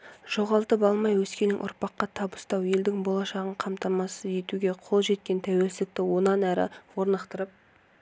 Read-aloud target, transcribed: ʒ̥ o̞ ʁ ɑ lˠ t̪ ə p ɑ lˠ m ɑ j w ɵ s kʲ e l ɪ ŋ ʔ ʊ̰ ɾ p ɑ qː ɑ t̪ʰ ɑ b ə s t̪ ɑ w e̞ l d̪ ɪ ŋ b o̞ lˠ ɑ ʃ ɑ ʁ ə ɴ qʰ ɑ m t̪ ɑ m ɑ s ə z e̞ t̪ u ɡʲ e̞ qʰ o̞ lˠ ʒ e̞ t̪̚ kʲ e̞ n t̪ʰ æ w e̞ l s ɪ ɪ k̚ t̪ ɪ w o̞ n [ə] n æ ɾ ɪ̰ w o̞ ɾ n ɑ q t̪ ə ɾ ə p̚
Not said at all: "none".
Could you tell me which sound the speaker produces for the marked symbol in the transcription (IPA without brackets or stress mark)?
ɑ